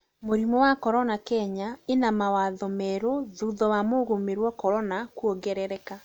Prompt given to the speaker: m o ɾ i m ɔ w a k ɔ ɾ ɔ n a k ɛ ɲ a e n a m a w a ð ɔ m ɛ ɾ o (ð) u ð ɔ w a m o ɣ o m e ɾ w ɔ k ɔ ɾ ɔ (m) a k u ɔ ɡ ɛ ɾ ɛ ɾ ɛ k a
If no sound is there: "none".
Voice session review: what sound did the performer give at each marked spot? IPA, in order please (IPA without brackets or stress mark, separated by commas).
ð, n